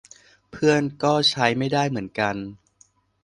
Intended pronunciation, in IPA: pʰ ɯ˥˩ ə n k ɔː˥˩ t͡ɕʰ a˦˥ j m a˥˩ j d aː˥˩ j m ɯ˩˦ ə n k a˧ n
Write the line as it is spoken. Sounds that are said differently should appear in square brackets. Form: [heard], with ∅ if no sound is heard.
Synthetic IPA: pʰ ɯ˥˩ ə n k ɔː˥˩ t͡ɕʰ a˦˥ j m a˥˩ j d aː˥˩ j m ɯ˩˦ ə n k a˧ n